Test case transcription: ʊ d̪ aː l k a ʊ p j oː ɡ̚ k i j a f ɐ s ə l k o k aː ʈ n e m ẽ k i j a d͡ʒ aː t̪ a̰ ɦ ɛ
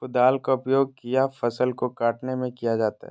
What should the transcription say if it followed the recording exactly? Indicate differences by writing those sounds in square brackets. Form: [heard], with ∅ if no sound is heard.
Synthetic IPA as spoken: ʊ d̪ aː l k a ʊ p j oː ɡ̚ k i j a f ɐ s ə l k o k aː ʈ n e m ẽ k i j a d͡ʒ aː t̪ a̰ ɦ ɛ